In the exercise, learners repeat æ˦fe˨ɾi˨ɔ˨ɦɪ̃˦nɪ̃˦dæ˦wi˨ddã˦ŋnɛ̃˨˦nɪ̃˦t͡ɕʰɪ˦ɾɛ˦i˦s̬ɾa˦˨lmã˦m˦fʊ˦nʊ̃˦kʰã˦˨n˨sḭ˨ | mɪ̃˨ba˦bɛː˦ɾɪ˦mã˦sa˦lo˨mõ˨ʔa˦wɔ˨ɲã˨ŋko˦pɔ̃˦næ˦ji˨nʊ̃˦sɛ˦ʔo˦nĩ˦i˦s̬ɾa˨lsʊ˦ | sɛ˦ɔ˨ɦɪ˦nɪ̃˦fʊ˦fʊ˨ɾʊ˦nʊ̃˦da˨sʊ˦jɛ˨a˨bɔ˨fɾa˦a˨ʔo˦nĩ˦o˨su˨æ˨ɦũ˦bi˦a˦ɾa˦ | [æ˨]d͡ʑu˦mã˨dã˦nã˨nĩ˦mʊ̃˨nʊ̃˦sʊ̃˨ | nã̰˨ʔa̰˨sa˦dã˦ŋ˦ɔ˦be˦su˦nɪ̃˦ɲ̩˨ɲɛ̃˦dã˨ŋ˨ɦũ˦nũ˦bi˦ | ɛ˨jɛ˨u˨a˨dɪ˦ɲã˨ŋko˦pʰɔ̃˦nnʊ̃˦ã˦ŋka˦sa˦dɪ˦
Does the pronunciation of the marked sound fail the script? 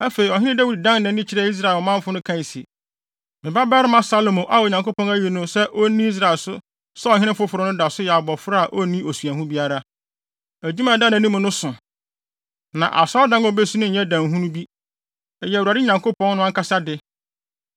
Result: no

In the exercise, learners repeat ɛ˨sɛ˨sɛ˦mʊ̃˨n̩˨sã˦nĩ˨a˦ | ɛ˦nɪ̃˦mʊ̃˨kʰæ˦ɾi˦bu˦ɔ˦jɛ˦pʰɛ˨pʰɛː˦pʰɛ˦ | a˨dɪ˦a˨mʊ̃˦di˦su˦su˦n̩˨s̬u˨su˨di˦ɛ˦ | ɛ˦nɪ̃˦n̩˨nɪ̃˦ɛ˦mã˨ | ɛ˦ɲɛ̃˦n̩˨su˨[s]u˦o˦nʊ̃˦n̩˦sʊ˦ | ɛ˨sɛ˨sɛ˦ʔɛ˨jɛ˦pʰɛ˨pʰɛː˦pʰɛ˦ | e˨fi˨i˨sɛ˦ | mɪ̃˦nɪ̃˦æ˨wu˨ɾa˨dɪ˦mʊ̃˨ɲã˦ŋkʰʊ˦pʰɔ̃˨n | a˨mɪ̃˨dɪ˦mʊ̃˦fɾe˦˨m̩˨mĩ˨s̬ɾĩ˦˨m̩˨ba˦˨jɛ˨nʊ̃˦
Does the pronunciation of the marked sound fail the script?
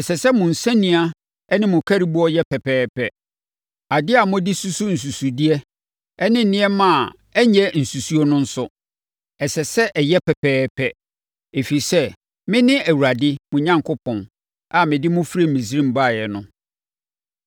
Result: no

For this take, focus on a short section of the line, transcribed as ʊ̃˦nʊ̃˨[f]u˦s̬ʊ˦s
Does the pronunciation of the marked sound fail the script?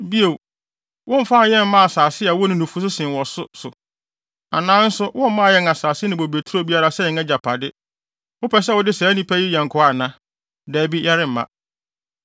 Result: no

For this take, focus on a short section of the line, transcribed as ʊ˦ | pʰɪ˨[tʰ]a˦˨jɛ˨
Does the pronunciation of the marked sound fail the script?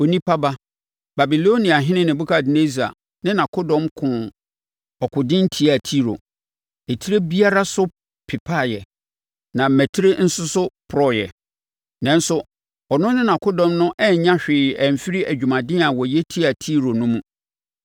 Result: yes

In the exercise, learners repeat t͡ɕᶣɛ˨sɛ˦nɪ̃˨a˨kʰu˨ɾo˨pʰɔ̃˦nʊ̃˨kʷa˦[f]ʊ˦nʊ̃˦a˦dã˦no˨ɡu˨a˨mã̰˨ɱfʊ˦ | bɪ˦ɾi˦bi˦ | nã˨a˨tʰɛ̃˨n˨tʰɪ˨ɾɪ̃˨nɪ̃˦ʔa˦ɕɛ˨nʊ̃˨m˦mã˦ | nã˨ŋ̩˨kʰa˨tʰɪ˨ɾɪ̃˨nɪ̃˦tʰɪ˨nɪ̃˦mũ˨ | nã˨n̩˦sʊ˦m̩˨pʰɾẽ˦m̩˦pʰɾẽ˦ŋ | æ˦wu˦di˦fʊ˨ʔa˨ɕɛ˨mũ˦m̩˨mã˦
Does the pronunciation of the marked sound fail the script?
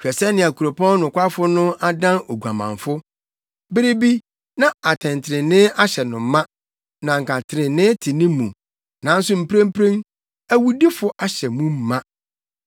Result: no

